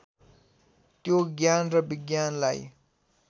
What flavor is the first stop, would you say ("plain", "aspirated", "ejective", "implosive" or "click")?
plain